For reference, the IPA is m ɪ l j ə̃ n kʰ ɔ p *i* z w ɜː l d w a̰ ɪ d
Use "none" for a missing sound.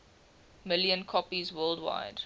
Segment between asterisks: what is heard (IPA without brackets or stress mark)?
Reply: i